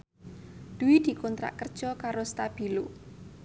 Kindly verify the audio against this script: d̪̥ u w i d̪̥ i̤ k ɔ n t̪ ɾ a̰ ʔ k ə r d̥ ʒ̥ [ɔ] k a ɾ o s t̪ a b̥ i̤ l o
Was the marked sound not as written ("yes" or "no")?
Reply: no